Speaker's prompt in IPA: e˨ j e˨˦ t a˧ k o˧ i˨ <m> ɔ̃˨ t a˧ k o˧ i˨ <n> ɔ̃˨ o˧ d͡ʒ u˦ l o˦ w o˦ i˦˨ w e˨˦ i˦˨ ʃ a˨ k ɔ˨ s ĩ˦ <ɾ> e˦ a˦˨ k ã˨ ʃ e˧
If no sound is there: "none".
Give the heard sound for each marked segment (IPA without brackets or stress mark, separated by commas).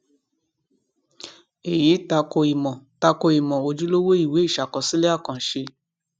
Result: m, m, l